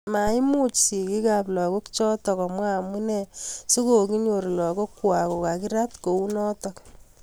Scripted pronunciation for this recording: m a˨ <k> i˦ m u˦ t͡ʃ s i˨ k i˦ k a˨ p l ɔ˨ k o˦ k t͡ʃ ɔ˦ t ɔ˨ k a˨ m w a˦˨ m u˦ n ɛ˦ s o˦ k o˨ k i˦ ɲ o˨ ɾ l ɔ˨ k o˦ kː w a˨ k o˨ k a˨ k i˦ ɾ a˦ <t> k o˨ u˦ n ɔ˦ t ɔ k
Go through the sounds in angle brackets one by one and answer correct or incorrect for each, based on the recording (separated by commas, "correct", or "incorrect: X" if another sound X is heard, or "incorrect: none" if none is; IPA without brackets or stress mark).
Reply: incorrect: none, correct